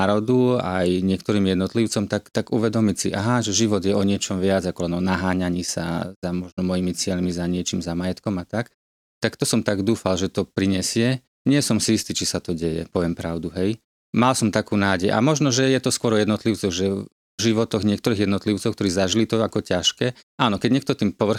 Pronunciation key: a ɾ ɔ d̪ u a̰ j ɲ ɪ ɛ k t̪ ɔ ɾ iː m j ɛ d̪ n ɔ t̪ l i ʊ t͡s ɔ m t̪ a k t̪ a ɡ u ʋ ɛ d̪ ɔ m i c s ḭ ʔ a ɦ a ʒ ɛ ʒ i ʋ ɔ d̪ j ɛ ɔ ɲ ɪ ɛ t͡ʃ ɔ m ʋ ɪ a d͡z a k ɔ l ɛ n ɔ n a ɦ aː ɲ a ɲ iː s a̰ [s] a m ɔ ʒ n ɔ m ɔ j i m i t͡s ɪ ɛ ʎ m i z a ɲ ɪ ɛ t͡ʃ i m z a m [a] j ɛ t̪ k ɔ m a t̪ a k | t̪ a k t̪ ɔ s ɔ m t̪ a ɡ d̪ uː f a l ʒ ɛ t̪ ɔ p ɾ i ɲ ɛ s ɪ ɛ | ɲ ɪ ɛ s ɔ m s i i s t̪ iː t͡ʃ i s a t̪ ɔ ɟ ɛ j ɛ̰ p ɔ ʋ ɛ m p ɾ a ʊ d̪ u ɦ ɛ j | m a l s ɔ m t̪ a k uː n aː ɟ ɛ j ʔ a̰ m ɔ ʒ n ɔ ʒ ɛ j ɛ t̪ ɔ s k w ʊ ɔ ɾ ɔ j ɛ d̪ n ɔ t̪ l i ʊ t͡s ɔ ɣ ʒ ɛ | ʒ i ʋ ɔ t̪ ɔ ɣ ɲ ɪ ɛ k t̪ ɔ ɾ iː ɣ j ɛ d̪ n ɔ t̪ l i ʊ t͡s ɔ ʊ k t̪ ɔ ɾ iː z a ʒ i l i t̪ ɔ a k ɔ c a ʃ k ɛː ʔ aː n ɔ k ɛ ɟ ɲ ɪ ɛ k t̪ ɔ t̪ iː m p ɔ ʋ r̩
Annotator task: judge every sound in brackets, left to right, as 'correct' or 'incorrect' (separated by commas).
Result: incorrect, correct